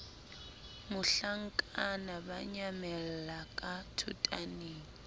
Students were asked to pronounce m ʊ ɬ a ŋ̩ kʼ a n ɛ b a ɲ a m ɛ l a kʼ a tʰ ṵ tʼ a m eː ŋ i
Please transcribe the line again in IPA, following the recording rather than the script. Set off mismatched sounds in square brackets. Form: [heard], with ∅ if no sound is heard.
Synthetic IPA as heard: m ʊ ɬ a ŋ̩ kʼ a n [a] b a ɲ a m ɛ l a kʼ a tʰ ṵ tʼ a [n] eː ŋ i